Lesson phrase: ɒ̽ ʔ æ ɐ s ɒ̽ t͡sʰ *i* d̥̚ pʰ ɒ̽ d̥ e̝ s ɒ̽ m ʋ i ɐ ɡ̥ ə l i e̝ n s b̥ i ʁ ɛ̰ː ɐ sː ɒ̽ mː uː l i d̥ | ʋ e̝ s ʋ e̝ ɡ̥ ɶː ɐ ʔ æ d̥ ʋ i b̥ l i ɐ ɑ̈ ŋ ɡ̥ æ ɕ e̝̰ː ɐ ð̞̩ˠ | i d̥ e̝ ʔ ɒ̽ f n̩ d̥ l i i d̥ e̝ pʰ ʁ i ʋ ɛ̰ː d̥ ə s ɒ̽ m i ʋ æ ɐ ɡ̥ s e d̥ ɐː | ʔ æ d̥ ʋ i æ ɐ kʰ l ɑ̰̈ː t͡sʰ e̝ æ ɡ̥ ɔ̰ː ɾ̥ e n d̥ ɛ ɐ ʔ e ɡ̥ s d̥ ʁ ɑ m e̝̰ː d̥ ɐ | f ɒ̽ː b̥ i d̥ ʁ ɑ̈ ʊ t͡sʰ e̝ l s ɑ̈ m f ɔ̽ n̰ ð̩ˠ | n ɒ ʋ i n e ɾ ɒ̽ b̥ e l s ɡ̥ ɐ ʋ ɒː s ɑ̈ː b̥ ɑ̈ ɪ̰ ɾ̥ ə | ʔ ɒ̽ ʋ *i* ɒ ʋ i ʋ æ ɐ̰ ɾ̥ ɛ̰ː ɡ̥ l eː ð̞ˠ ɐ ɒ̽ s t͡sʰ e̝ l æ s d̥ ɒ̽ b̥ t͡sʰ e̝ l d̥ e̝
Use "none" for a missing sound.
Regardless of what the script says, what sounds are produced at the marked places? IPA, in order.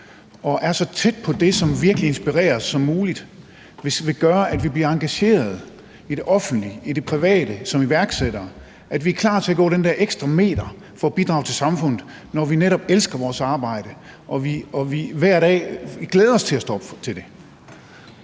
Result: e, i

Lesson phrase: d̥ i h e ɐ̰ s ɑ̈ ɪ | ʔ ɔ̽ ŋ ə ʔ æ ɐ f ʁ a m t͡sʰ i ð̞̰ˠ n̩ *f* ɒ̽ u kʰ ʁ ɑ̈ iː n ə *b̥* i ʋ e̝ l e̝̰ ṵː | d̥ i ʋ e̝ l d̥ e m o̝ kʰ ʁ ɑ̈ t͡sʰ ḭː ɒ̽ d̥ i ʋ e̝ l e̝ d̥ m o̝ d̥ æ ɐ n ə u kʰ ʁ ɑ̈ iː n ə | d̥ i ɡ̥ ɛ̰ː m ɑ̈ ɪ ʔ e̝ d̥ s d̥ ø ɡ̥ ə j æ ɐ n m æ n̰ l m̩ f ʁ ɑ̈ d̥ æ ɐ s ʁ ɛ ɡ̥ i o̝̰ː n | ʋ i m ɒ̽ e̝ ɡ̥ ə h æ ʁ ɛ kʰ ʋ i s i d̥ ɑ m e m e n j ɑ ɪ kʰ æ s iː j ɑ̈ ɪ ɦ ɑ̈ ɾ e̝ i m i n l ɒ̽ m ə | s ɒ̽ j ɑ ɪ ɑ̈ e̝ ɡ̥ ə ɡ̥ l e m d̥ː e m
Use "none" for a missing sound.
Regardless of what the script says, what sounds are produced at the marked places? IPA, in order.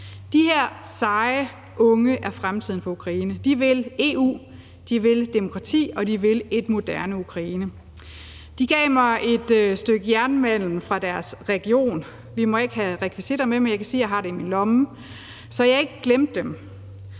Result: f, d̥

